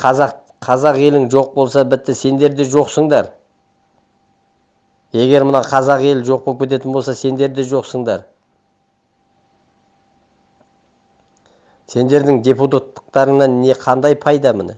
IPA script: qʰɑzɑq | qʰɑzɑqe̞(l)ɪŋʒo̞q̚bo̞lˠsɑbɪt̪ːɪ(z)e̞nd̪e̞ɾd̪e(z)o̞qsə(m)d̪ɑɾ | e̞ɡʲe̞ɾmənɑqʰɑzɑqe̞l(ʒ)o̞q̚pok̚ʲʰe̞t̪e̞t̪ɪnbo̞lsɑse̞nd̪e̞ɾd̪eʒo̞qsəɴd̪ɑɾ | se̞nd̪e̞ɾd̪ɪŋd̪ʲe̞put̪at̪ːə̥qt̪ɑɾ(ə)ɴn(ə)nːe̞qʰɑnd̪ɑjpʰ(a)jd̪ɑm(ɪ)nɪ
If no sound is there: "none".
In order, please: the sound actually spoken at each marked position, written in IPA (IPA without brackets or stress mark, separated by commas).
l, s, ʒ, ɴ, ʒ, ə, ɑ, ɑ, ɪ